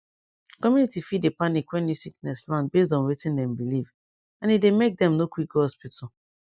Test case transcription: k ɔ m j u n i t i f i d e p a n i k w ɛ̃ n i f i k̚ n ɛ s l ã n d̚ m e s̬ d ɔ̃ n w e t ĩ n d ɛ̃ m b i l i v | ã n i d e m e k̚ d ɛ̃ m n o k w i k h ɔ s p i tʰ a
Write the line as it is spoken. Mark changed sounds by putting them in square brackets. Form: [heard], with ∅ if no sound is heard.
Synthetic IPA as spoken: k ɔ m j u n i t i f i d e p a n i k w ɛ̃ n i [s] i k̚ n ɛ s l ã n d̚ [b] e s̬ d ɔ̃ n w e t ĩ n d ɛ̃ m b i l i v | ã n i d e m e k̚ d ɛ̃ m n o k w i k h ɔ s p i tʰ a